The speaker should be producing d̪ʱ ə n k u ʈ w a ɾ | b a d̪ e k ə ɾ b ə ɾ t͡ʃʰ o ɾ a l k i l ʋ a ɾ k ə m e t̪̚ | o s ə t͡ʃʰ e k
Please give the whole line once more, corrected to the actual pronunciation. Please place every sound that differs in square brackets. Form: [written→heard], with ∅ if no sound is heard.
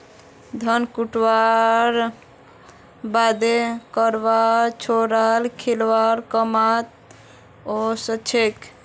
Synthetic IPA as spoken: d̪ʱ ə n k u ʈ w a ɾ | b a d̪ e k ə ɾ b [ə→a] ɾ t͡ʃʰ o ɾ a l [k→kʰ] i l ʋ a ɾ k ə m [e→a] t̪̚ | o s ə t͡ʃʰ e k